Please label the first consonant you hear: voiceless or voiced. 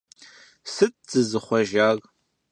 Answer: voiceless